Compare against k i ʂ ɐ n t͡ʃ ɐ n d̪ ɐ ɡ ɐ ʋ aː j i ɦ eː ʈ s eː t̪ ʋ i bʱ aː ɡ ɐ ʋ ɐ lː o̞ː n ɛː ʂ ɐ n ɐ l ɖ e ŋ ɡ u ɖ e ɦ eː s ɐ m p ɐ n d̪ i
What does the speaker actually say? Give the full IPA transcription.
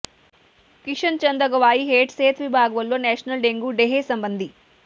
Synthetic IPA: k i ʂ ɐ n t͡ʃ ɐ n d̪ ɐ ɡ ɐ ʋ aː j i ɦ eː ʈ s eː t̪ ʋ i bʱ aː ɡ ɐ ʋ ɐ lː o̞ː n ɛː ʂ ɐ n ɐ l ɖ e ŋ ɡ u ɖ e ɦ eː s ɐ m b ɐ n d̪ i